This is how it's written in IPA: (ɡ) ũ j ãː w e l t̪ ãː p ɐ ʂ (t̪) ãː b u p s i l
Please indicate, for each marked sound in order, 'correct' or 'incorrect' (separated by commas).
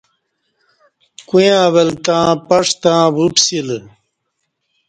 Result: incorrect, correct